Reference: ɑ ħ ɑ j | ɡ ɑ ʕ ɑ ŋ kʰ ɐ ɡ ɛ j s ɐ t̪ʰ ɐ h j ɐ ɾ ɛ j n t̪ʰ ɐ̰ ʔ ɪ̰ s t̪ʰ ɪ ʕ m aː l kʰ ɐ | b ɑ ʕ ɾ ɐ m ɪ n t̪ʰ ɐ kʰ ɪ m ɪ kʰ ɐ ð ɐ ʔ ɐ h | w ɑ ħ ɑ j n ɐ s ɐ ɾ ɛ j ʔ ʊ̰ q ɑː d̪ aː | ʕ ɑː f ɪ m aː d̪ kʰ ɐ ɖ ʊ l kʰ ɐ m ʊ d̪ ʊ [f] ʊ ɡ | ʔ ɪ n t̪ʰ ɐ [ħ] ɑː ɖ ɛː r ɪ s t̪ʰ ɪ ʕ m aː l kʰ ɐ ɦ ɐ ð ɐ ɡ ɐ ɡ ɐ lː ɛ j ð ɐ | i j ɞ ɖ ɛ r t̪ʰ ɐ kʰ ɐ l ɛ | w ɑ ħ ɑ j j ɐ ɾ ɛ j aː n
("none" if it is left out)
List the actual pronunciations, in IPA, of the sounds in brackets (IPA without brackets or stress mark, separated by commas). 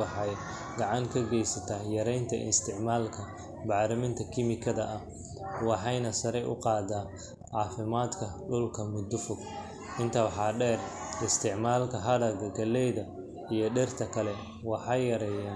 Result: f, ħ